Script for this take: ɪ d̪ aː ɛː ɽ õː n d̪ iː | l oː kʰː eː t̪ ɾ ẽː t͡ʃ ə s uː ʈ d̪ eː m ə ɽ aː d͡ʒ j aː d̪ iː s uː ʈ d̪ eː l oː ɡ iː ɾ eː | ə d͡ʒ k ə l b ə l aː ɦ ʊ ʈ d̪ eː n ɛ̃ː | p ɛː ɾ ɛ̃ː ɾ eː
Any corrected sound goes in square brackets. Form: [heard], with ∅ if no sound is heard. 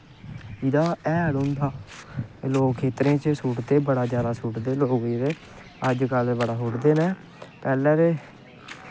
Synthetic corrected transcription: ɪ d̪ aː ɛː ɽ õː n d̪ [aː] | l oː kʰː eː t̪ ɾ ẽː t͡ʃ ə s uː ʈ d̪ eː [b] ə ɽ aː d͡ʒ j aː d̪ [aː] s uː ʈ d̪ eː l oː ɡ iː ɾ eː | ə d͡ʒ k ə l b ə [ɽ] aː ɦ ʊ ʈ d̪ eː n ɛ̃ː | p ɛː [l] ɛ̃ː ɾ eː

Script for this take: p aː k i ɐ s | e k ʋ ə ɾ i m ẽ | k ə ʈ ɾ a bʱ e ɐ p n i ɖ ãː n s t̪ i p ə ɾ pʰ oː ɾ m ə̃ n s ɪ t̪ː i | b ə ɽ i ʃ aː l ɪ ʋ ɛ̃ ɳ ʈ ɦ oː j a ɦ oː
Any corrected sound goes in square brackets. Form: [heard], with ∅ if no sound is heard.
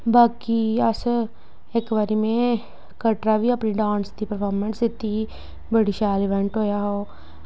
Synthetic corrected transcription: [b] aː k i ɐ s | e k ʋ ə ɾ i m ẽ | k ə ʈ ɾ a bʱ [i] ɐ p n i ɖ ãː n s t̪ i p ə ɾ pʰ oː ɾ m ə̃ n s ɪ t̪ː i | b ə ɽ i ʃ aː l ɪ ʋ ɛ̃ ɳ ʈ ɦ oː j a ɦ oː

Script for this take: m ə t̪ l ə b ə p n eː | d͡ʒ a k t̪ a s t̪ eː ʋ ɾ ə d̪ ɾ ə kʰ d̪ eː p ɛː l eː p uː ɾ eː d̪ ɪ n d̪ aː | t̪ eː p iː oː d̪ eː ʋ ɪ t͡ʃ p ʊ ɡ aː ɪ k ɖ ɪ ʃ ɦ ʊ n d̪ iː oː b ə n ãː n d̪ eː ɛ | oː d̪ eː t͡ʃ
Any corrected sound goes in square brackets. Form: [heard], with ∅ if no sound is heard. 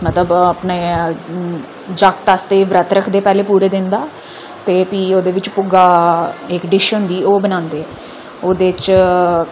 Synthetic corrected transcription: m ə t̪ l ə b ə p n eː | d͡ʒ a k t̪ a s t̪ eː ʋ ɾ ə [t̪] ɾ ə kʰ d̪ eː p ɛː l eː p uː ɾ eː d̪ ɪ n d̪ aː | t̪ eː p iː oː d̪ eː ʋ ɪ t͡ʃ p ʊ ɡ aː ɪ k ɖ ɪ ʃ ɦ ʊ n d̪ iː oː b ə n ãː n d̪ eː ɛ | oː d̪ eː t͡ʃ

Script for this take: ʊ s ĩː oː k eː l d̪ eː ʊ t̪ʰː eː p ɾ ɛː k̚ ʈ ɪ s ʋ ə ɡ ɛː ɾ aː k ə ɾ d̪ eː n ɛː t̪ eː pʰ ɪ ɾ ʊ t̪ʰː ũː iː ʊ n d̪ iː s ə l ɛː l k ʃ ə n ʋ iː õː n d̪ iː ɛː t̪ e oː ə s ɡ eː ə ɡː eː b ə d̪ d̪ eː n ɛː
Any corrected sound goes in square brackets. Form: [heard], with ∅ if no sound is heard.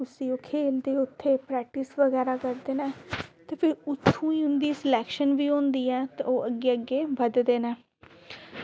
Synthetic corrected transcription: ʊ s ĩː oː [kʰ] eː l d̪ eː ʊ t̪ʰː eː p ɾ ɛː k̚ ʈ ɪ s ʋ ə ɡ ɛː ɾ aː k ə ɾ d̪ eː n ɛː t̪ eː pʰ ɪ ɾ ʊ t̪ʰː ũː iː ʊ n d̪ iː s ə l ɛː [∅] k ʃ ə n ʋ iː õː n d̪ iː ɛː t̪ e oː ə [∅] ɡ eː ə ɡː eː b ə d̪ d̪ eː n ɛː

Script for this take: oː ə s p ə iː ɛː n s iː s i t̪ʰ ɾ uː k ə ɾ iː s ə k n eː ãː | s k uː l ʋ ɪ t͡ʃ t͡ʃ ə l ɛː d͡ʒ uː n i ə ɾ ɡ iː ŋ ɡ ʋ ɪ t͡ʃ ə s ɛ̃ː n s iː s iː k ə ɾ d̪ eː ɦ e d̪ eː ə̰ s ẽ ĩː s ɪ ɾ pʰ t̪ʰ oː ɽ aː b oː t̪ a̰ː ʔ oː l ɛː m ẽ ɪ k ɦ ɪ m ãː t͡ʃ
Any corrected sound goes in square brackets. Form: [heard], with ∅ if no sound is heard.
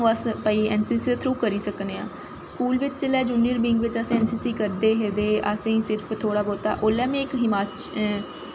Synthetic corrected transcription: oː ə s p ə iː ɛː n s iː s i t̪ʰ ɾ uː k ə ɾ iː s ə k n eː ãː | s k uː l ʋ ɪ t͡ʃ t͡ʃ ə l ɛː d͡ʒ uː n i ə ɾ [b] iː ŋ ɡ ʋ ɪ t͡ʃ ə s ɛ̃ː n s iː s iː k ə ɾ d̪ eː ɦ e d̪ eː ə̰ s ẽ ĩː s ɪ ɾ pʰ t̪ʰ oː ɽ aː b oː t̪ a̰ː ʔ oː l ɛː m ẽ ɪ k ɦ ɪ m [aː] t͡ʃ

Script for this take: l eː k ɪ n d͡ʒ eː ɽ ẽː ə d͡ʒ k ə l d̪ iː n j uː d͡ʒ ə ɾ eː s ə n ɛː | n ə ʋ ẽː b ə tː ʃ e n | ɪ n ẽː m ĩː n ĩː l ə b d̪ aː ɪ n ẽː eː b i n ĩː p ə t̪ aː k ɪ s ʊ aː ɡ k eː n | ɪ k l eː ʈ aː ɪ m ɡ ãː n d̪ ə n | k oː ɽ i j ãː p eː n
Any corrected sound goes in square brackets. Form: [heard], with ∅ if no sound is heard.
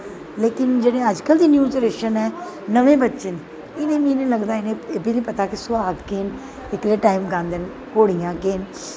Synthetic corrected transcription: l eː k ɪ n d͡ʒ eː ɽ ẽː ə d͡ʒ k ə l d̪ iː n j uː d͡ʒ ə ɾ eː [ʃ] ə n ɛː | n ə ʋ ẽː b ə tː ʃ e n | ɪ n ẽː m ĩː n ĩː l ə [ɡ] d̪ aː ɪ n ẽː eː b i n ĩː p ə t̪ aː k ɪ s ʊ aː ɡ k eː n | ɪ k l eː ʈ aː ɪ m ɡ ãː n d̪ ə n | k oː ɽ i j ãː [k] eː n

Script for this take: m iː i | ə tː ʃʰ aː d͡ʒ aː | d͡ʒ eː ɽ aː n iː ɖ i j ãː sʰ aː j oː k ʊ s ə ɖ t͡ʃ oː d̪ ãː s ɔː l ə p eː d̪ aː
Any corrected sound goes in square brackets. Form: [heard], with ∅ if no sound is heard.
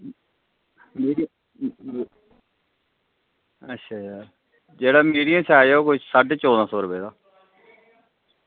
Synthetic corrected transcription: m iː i | ə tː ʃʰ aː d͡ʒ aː | d͡ʒ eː ɽ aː [m] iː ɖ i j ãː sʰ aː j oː k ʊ s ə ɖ t͡ʃ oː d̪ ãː s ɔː [ɾ] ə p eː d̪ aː

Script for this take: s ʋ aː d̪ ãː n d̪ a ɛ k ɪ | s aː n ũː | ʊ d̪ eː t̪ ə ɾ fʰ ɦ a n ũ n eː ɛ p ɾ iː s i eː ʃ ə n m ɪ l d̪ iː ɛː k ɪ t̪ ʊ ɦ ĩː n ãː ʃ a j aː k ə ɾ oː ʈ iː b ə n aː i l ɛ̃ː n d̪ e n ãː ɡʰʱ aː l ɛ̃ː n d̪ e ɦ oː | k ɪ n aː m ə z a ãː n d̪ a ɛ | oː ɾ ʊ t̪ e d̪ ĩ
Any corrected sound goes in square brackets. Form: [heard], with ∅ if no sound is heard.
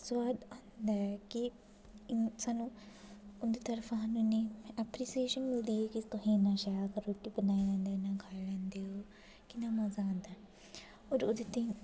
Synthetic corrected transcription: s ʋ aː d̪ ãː n d̪ a ɛ k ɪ | s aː n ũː | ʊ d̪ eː t̪ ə ɾ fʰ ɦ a n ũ n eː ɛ p ɾ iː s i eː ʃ ə n m ɪ l d̪ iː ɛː k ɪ t̪ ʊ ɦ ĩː n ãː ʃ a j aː k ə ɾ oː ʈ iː b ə n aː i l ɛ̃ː n d̪ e n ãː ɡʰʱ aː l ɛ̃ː n d̪ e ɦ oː | k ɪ n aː m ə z a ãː n d̪ a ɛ | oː ɾ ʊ [d̪] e [t̪] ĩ

